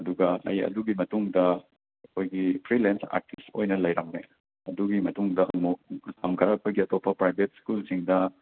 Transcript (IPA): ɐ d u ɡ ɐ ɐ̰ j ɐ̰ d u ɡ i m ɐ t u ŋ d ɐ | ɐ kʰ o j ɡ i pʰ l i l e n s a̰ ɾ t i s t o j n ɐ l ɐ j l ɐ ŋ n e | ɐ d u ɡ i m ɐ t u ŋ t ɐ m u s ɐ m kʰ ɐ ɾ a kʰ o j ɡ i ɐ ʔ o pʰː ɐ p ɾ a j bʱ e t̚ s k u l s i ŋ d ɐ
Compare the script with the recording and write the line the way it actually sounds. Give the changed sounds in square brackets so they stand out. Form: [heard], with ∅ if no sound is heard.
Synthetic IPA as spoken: ɐ d u ɡ ɐ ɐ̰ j ɐ̰ d u ɡ i m ɐ t u ŋ d ɐ | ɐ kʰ o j ɡ i pʰ [ɾ] i l e n s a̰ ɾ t i s t o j n ɐ l ɐ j [ɾ] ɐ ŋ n e | ɐ d u ɡ i m ɐ t u ŋ [d] ɐ m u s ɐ m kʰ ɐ ɾ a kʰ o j ɡ i ɐ [t] o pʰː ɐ p ɾ a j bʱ e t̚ s k u l s i ŋ d ɐ